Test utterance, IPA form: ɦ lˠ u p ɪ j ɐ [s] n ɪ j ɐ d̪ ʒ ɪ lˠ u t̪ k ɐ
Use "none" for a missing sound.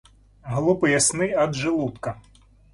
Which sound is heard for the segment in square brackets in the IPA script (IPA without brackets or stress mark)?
s